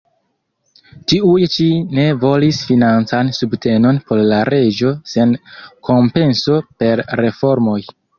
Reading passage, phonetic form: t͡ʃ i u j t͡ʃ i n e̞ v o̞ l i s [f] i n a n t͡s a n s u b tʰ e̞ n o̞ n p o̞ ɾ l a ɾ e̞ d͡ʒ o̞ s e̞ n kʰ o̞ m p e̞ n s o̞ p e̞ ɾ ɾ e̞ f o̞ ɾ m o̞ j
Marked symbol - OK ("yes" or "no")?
yes